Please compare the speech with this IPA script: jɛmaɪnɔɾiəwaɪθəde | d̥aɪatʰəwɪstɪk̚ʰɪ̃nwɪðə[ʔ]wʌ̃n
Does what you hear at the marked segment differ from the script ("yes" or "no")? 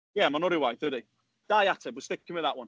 no